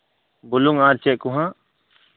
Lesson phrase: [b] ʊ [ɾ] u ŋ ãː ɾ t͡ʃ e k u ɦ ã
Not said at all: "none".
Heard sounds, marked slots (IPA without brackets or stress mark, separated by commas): b, l